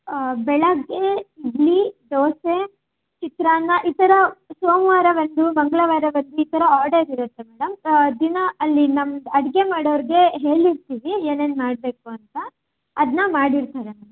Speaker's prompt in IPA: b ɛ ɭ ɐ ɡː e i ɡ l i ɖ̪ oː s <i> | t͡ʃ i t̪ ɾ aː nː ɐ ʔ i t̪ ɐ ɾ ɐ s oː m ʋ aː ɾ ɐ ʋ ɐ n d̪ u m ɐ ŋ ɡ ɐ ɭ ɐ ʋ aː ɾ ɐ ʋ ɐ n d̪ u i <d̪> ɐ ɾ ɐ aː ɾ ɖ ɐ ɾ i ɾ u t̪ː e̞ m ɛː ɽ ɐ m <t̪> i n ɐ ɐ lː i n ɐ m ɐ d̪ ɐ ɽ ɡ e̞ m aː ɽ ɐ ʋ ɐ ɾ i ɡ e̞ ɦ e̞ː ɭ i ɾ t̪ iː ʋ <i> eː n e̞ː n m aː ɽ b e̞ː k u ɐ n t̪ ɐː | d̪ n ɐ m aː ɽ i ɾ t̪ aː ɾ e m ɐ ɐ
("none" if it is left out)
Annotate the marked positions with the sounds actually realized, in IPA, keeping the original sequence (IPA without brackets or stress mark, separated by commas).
e, t̪, d̪, i